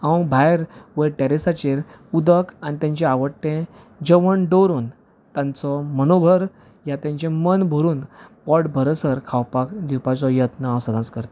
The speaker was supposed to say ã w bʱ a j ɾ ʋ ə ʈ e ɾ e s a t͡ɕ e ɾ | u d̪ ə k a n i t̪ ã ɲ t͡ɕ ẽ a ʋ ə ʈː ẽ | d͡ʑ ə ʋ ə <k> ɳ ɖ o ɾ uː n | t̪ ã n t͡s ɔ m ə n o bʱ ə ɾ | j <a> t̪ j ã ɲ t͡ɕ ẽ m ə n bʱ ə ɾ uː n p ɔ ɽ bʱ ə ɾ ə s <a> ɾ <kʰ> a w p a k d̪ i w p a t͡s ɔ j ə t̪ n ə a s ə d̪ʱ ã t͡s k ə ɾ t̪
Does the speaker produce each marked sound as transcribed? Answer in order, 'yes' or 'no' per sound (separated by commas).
no, yes, no, yes